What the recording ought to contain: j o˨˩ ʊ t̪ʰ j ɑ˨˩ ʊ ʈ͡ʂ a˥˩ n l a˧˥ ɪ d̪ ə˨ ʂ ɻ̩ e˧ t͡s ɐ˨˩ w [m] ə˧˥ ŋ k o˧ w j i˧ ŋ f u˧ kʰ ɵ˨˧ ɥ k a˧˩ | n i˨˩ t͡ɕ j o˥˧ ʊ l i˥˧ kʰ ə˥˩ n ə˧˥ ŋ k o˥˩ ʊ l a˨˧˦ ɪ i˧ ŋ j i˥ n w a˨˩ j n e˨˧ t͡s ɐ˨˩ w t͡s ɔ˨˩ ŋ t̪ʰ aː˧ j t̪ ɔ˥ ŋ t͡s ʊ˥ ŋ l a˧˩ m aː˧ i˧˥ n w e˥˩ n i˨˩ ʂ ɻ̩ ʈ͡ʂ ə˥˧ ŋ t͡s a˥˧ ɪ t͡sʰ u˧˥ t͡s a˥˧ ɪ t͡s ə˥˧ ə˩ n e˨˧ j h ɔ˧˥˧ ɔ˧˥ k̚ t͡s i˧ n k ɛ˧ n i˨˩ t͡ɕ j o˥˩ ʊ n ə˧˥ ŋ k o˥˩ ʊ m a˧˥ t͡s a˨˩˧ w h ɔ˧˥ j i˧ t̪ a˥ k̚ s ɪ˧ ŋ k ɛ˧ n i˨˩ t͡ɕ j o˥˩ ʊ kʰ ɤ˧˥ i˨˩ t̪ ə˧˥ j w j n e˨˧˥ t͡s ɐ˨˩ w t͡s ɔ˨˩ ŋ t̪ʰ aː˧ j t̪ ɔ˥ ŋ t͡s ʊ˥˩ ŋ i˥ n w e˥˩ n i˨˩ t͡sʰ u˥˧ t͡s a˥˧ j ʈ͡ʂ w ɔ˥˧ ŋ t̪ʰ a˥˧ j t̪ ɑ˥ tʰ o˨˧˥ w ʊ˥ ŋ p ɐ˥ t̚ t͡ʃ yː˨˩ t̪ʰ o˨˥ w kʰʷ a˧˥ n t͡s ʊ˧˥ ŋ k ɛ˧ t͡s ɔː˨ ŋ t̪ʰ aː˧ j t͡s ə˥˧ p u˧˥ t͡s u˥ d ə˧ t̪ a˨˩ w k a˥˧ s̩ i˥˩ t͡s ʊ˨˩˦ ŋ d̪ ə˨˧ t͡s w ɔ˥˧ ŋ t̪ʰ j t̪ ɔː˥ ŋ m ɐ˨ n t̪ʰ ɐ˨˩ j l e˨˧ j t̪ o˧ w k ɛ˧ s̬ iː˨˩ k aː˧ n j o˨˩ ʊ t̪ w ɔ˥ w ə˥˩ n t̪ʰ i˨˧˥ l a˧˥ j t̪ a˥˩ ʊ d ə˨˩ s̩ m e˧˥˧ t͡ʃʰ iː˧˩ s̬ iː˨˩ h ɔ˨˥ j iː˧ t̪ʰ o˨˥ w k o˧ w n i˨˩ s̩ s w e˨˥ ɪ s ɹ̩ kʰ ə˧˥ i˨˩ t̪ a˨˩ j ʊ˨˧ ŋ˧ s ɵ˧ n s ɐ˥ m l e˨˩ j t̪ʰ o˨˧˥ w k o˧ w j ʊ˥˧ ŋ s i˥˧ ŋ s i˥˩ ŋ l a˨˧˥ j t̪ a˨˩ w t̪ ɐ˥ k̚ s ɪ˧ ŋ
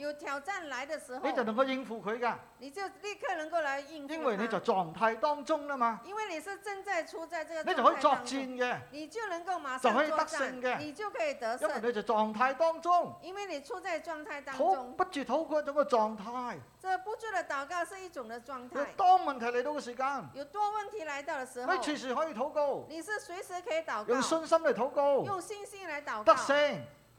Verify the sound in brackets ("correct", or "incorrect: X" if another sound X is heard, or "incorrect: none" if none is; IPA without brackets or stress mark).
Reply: incorrect: n